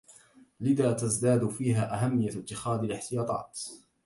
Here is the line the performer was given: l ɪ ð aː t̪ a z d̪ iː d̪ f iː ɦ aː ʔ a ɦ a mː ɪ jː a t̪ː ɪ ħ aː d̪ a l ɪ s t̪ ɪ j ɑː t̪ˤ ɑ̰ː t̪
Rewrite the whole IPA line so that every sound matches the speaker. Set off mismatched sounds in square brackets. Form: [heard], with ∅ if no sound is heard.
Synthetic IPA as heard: l ɪ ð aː t̪ a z d̪ [aː] d̪ f iː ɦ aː ʔ a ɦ a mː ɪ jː a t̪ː ɪ [x] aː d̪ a l ɪ [ħ] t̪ ɪ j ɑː t̪ˤ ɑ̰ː t̪